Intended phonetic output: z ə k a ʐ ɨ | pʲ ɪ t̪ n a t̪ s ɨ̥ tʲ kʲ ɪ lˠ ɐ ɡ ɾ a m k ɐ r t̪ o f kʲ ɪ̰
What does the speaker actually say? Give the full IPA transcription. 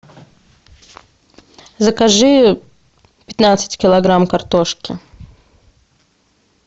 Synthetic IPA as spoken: z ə k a ʐ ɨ | pʲ ɪ t̪ n a t̪ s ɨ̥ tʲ kʲ ɪ lˠ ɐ ɡ ɾ a m k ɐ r t̪ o ʂ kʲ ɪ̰